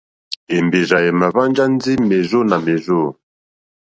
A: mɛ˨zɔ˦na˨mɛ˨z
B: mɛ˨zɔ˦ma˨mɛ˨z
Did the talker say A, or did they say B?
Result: A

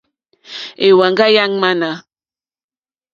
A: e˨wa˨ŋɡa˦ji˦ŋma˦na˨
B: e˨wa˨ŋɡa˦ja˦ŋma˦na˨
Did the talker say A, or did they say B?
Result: B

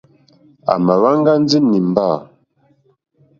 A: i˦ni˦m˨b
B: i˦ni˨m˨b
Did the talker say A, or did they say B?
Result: B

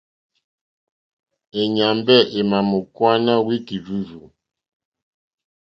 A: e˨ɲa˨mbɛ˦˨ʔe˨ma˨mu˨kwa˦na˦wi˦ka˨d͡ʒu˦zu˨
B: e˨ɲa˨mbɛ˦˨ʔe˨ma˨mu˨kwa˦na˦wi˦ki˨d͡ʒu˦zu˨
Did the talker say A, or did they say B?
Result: B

